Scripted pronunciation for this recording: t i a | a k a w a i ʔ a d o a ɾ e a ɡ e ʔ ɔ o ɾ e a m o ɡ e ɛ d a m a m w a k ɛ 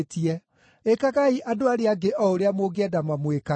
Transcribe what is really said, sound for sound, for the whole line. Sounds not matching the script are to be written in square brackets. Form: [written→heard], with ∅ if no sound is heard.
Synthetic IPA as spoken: t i [a→ɛ] | [a→e] k a [w→ɣ] a i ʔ a d o a ɾ e a ɡ e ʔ ɔ o ɾ e a m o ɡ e ɛ d a m a m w [a→e] k [ɛ→a]